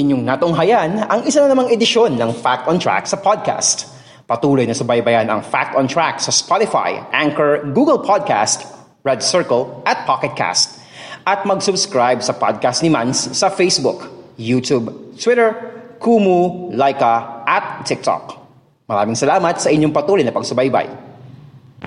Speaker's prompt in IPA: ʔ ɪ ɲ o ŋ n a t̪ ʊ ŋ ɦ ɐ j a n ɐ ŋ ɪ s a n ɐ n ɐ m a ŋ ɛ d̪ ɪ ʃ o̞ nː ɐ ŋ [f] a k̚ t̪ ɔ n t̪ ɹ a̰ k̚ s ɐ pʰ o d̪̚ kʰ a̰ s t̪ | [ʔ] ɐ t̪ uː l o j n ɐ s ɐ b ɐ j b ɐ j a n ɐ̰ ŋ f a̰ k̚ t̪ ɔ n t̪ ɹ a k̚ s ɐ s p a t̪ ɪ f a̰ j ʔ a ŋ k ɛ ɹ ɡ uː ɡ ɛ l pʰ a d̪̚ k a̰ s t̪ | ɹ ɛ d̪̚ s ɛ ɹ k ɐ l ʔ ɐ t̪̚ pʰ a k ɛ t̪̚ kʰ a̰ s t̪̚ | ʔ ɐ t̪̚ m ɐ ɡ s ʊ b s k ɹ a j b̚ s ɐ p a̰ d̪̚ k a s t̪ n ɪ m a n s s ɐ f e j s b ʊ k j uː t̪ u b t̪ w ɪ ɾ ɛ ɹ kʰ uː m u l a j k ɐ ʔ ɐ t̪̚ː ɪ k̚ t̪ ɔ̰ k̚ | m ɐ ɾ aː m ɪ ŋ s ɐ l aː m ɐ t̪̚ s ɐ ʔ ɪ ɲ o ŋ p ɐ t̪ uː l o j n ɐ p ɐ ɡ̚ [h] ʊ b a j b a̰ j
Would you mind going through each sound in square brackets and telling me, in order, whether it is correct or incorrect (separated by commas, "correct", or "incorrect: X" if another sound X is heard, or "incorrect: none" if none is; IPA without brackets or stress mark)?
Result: correct, incorrect: p, incorrect: s